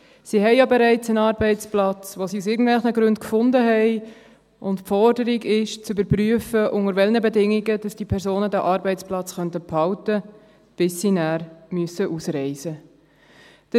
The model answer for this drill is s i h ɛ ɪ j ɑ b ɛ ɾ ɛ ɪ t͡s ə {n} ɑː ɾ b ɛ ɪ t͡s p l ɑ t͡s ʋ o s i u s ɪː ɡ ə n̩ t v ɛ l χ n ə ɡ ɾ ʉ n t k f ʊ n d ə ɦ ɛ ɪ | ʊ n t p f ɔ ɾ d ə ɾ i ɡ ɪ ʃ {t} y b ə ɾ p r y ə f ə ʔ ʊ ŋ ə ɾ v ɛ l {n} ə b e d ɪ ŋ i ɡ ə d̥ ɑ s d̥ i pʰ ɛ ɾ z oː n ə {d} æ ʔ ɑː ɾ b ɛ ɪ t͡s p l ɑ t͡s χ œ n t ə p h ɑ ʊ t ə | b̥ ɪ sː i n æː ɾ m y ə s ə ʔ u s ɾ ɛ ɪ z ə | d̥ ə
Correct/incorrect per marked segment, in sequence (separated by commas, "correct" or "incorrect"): correct, incorrect, correct, correct